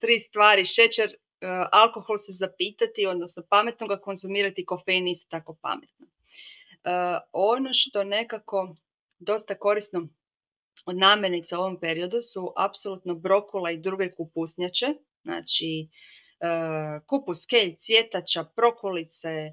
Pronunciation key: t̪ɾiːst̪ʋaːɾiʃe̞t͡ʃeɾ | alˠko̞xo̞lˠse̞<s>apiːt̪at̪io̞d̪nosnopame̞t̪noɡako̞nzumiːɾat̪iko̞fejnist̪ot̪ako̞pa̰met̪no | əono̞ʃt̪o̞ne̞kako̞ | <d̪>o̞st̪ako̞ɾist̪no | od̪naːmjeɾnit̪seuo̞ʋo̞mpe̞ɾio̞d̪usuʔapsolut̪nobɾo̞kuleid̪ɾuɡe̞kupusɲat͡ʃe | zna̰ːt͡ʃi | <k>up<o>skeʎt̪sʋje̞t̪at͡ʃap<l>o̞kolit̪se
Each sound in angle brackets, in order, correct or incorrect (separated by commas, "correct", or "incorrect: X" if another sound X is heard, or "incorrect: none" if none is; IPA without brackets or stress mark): incorrect: z, correct, correct, incorrect: u, incorrect: ɾ